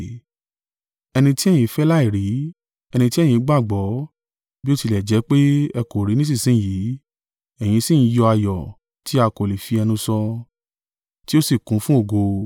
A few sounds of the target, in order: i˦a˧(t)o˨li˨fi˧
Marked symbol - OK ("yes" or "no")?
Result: no